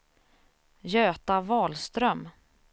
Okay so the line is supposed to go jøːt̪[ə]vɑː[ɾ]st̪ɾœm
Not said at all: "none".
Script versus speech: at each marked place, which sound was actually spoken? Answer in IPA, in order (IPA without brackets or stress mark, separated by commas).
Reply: a, l